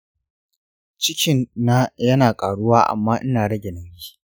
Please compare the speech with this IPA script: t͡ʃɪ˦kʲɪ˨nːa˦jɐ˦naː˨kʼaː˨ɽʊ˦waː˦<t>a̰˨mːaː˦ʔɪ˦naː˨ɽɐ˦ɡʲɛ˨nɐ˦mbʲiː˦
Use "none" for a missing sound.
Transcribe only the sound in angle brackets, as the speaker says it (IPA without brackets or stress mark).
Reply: ʔ